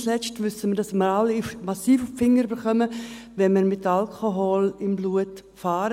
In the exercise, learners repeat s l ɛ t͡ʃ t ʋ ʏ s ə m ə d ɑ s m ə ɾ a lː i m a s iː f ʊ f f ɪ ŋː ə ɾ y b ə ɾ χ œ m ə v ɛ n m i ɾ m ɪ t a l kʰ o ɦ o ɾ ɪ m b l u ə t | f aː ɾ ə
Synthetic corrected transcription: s l ɛ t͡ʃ t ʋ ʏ s ə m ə d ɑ s m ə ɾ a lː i m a s iː f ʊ f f ɪ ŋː ə ɾ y b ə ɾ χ œ m ə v ɛ n m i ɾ m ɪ t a l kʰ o ɦ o l ɪ m b l u ə t | f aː ɾ ə

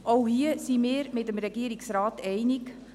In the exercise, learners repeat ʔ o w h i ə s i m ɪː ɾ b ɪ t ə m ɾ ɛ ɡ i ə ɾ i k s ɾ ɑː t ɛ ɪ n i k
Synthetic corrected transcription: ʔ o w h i ə s i m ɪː ɾ m ɪ t ə m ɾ ɛ ɡ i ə ɾ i k s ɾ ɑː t ɛ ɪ n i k

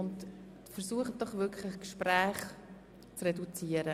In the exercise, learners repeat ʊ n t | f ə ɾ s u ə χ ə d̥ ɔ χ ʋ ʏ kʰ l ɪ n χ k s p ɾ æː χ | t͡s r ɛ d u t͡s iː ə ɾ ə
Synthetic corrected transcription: ʊ n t | f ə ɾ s u ə χ ə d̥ ɔ χ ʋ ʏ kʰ l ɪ χ k ʃ p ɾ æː χ | t͡s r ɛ d u t͡s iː ə ɾ ə

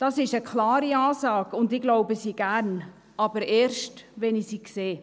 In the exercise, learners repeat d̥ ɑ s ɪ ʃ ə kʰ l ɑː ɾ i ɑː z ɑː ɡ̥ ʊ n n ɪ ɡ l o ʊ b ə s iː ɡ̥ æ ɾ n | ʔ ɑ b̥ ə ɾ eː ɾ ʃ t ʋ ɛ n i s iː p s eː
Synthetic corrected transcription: d̥ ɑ s ɪ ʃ ə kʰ l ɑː ɾ i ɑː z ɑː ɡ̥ ʊ n d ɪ ɡ l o ʊ b ə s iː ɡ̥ æ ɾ n | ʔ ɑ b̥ ə ɾ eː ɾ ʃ t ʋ ɛ n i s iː k s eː

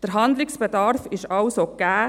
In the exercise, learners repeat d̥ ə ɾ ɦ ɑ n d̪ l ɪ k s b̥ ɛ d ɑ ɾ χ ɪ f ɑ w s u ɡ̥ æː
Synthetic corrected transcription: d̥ ə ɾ ɦ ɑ n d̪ l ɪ k s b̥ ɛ d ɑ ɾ f ɪ ʃ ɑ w s o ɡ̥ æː

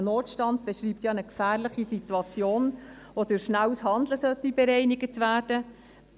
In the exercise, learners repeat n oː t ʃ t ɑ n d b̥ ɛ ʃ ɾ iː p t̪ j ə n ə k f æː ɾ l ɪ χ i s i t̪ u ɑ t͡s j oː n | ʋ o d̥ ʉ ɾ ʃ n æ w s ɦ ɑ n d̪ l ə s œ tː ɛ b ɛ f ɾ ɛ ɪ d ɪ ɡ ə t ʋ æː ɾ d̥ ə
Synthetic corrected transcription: n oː t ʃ t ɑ n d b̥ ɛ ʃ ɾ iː p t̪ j ɑ n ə k f æː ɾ l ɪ χ i s i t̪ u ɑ t͡s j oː n | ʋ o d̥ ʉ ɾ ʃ n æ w s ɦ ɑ n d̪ l ə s œ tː i b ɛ ɾ ɛ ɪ n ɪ ɡ ə t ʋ æː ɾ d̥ ə

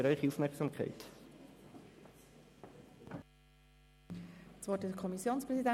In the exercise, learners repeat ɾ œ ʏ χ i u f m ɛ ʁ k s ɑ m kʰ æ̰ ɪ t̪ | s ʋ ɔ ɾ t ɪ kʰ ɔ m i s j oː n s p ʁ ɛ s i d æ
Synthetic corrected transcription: ɾ œ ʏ χ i u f m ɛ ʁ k s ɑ m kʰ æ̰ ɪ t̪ | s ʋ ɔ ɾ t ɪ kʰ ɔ m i s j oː n s p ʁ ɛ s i d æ

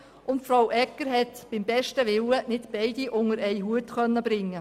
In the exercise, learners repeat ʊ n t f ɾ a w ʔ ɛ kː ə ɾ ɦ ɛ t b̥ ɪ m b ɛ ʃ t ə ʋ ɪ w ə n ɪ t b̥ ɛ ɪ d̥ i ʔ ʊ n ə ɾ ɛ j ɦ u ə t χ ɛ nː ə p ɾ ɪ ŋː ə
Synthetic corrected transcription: ʊ n t f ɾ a w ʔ ɛ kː ə ɾ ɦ ɛ t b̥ ɪ m b ɛ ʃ t ə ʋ ɪ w ə n ɪ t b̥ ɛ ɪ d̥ i ʔ ʊ ŋ ə ɾ ɛ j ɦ u ə t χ œ nː ə b ɾ ɪ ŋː ə

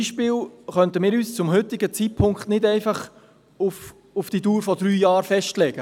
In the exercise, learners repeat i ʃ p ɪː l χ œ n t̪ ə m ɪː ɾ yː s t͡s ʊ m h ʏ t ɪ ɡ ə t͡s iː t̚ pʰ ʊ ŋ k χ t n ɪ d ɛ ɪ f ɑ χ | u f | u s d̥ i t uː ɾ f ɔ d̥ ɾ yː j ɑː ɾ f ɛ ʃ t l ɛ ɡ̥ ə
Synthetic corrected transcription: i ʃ p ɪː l χ œ n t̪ ə m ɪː ɾ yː s t͡s ʊ m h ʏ t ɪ ɡ ə t͡s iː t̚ pʰ ʊ ŋ k χ t n ɪ d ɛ ɪ f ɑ χ | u f | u f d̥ i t uː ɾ f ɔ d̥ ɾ yː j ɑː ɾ f ɛ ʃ t l ɛ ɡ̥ ə

